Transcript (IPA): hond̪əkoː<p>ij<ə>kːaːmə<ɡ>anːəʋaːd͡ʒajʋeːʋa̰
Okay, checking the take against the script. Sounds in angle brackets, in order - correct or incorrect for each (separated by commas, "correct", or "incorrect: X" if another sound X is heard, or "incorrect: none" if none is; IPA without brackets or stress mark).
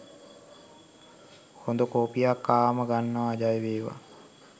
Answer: correct, incorrect: a, correct